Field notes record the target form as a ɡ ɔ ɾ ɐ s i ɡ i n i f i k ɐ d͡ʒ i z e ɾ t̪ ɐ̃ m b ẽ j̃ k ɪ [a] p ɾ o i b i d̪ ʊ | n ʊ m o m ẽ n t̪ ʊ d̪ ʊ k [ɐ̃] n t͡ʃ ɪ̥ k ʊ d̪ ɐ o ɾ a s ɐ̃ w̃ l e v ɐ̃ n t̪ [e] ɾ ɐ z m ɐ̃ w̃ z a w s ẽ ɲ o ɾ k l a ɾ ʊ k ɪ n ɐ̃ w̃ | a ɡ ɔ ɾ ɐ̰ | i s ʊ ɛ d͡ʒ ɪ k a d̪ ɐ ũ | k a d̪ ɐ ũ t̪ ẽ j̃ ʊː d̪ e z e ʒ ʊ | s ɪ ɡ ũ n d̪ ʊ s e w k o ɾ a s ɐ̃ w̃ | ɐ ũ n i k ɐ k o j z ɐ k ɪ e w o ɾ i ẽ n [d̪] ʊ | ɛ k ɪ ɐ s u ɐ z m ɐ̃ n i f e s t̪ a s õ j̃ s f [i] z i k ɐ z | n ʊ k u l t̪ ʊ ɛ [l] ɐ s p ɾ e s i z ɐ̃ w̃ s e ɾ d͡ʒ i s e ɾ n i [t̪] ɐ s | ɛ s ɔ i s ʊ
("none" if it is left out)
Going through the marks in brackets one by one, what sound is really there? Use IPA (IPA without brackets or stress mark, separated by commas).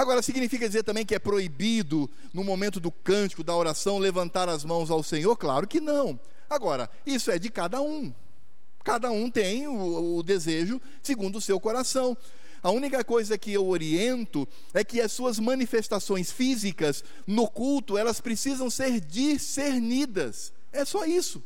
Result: ɛ, ɐ̃, a, t̪, i, l, d̪